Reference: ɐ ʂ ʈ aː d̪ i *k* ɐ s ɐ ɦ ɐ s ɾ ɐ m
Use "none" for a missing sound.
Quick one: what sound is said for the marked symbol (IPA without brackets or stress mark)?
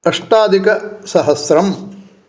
k